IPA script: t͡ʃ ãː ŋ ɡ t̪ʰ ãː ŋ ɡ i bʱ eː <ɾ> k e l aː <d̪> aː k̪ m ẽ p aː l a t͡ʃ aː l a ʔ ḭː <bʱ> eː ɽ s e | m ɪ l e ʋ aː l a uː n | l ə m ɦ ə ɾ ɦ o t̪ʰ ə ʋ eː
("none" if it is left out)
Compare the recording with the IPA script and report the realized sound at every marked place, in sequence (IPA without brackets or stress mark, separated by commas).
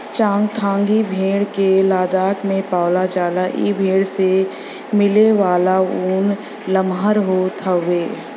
ɽ, d̪, bʱ